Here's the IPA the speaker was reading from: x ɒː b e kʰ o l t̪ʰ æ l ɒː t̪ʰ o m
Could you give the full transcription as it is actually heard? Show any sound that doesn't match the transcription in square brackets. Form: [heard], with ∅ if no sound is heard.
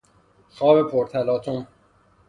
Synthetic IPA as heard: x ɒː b e [pʰ] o [ɾ] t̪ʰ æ l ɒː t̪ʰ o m